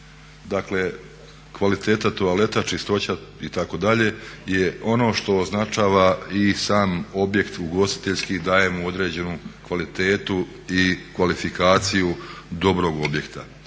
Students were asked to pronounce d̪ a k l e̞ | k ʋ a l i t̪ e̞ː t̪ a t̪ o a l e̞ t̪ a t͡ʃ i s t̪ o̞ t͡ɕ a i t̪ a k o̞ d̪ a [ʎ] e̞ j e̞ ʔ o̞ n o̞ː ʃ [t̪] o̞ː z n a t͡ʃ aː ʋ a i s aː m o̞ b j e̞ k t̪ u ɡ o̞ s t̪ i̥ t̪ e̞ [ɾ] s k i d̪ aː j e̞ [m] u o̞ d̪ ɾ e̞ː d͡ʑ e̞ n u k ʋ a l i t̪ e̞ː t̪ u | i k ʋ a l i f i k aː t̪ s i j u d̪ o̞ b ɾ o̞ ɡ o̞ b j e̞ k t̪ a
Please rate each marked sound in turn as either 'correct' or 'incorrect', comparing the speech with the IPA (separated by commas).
correct, correct, incorrect, correct